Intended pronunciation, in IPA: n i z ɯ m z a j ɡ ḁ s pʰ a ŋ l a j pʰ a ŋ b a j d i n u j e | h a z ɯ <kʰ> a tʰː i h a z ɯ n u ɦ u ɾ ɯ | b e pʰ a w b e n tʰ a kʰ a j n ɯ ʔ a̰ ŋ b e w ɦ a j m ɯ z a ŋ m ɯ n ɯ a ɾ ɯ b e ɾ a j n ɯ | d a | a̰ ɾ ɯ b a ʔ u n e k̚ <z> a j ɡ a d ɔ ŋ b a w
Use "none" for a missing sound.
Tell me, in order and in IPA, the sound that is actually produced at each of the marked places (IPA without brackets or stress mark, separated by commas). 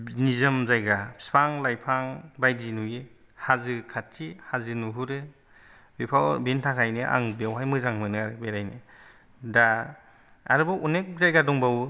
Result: kʰ, z